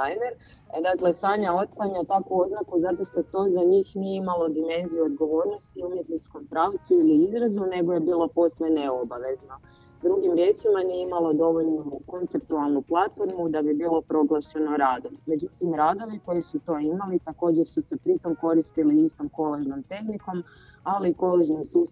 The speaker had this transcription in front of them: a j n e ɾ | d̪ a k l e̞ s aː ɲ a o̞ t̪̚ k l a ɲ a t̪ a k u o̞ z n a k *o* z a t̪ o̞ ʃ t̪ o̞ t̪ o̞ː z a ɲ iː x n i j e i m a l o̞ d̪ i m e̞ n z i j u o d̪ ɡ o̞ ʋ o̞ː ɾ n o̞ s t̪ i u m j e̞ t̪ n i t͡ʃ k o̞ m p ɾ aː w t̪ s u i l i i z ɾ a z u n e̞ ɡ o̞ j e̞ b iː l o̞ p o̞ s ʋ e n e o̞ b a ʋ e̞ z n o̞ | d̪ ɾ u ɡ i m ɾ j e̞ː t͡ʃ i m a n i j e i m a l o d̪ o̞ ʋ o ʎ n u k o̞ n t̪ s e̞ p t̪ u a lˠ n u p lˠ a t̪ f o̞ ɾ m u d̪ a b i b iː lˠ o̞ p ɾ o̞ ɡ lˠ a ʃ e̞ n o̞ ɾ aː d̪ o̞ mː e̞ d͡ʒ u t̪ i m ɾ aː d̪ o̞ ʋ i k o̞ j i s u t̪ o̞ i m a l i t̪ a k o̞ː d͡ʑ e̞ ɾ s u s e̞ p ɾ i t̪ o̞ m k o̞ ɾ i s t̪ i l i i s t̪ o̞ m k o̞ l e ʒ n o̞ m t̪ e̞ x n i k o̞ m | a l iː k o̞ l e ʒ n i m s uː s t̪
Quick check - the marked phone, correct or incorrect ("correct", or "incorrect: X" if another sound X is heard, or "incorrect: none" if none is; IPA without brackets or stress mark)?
incorrect: u